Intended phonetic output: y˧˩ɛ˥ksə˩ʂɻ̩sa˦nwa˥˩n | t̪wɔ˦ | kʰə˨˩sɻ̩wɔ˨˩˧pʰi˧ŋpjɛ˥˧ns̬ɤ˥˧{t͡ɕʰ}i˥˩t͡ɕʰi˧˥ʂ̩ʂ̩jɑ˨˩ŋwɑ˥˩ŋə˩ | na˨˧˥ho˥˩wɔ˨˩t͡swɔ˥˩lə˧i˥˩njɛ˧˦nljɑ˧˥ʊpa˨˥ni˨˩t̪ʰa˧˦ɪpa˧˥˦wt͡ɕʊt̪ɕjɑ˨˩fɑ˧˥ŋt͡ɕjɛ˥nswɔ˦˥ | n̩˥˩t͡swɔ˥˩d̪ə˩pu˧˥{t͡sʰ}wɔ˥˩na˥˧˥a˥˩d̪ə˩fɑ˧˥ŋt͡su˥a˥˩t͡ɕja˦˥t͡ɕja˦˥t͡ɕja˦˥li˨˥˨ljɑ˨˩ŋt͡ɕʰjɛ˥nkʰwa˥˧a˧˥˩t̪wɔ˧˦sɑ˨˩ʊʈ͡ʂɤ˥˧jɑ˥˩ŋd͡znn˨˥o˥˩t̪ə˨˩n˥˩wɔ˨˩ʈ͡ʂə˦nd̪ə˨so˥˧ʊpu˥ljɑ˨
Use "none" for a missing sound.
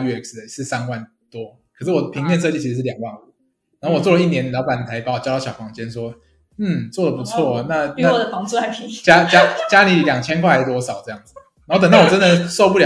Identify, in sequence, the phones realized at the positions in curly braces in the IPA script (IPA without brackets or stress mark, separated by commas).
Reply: t͡ɕ, t͡sʰ